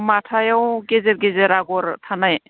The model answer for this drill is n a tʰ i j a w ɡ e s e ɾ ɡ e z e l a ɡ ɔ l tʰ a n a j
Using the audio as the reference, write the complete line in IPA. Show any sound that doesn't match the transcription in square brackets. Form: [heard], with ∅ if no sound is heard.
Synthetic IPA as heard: [m] a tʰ [a] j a w ɡ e [z] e ɾ ɡ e z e [ɾ] a ɡ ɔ [ɾ] tʰ a n a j